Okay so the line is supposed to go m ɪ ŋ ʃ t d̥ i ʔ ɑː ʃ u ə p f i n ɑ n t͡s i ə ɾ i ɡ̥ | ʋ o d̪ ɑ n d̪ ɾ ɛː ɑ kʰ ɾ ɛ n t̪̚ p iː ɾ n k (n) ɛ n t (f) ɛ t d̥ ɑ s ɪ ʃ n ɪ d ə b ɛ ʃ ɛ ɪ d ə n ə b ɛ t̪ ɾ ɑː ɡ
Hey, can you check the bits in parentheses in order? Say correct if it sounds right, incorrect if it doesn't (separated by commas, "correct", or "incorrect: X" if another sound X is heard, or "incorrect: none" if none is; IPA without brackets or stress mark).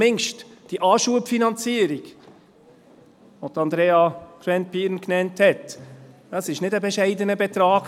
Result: correct, incorrect: h